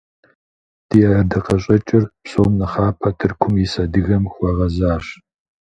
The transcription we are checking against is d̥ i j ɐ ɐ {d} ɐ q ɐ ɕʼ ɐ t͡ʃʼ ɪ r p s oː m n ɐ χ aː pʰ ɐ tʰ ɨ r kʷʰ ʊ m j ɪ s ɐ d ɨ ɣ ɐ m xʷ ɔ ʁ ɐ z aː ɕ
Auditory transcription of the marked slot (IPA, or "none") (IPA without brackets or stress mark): d